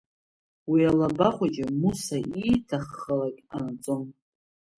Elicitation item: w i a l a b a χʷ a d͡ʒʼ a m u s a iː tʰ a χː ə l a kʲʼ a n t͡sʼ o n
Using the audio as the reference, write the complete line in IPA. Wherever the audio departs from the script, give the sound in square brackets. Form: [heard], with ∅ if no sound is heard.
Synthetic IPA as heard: w i a l a b a χʷ a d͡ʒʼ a m u s a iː tʰ a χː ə l a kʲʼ a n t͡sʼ o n